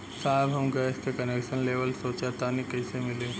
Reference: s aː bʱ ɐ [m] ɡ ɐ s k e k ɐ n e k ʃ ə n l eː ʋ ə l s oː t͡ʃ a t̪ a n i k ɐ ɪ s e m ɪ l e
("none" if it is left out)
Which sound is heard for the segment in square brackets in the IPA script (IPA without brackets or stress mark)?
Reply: m